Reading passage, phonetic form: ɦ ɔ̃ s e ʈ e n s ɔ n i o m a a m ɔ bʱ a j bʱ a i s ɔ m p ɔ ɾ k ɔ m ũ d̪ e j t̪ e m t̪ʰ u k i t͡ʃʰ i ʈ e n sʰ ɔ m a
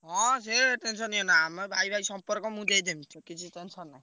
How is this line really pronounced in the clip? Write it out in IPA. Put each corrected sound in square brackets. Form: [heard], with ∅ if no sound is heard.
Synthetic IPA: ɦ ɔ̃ s e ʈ e n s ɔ n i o [n] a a m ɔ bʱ a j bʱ a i s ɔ m p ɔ ɾ k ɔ m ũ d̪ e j [d̪] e m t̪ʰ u k i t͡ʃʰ i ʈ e n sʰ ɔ [n] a

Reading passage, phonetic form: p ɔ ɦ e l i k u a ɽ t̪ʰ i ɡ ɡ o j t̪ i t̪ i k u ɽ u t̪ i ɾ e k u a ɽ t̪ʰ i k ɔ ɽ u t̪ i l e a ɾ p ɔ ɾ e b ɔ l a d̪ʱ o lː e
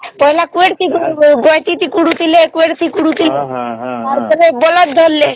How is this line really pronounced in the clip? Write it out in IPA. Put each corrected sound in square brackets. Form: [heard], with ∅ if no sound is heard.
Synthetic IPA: p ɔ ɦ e l [a] k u [e] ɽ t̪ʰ i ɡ ɡ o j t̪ i t̪ i k u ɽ u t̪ i [l] e k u [e] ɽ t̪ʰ i k [u] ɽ u t̪ i l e a ɾ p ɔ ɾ e b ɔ l a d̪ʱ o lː e

